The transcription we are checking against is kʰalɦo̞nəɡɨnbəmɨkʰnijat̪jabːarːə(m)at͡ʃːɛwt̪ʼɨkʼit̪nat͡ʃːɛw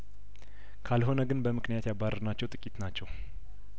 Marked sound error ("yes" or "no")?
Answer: yes